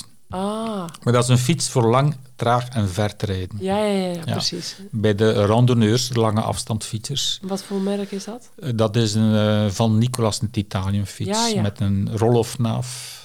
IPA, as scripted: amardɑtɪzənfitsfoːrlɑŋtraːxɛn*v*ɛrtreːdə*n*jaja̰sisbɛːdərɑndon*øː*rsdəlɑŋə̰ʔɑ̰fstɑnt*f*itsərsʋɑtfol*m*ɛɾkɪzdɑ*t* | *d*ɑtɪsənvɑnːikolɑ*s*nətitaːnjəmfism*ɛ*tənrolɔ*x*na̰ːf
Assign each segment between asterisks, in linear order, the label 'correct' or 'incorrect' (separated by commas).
correct, correct, correct, correct, correct, correct, correct, correct, correct, incorrect